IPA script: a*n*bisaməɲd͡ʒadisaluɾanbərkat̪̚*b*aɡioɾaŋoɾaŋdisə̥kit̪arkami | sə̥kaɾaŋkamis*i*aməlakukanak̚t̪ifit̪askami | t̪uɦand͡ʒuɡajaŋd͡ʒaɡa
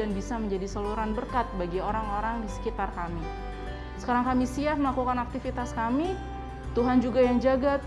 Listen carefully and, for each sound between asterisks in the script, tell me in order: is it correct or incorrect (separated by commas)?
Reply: correct, correct, correct